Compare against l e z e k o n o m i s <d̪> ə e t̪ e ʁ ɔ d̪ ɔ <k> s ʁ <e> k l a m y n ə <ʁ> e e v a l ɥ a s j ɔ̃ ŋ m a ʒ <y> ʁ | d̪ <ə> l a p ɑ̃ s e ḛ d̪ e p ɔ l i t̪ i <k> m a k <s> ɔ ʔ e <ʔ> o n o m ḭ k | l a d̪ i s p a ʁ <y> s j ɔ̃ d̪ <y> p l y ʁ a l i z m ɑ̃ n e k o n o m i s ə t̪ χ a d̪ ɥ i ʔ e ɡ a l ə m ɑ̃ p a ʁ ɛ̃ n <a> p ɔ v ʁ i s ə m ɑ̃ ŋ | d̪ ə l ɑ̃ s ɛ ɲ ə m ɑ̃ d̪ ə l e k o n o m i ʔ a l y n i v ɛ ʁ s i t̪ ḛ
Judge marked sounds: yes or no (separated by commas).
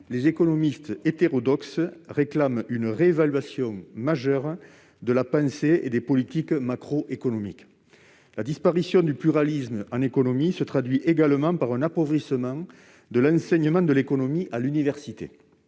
no, yes, yes, yes, no, yes, yes, no, no, no, yes, yes